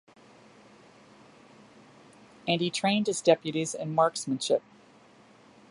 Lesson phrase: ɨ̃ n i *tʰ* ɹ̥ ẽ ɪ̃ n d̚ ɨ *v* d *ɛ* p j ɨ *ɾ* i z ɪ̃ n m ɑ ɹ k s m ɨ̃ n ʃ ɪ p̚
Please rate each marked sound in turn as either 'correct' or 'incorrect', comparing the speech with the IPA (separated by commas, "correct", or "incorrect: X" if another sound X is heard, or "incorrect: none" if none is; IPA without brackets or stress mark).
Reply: correct, incorrect: z, correct, correct